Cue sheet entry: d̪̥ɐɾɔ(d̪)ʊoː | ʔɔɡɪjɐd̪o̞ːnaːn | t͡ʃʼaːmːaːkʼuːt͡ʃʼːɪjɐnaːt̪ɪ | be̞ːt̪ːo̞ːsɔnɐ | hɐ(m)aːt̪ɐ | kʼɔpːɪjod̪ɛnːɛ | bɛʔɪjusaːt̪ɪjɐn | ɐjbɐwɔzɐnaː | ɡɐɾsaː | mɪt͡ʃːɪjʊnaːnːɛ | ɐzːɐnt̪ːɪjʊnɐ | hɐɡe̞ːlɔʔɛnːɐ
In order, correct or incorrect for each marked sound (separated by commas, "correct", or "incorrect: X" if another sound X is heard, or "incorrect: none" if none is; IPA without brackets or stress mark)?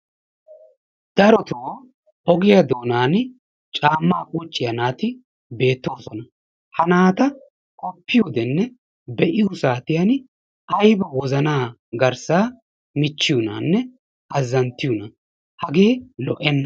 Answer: incorrect: t̪, incorrect: n